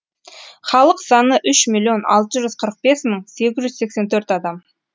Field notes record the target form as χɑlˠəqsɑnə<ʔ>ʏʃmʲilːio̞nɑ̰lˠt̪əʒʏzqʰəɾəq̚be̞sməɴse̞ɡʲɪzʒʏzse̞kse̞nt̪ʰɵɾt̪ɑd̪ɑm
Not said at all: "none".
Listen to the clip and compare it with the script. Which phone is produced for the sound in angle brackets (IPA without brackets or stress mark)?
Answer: ʔ